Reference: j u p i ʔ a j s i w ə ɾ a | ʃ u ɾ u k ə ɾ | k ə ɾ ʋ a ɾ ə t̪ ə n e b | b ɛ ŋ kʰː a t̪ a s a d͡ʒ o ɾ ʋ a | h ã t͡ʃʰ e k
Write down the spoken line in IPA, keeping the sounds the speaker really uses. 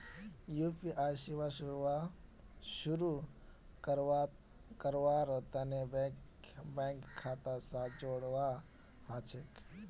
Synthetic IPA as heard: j u p i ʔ a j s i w a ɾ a | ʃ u ɾ u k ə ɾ | k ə ɾ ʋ a ɾ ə t̪ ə n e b | b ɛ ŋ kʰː a t̪ a s a d͡ʒ o ɽ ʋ a | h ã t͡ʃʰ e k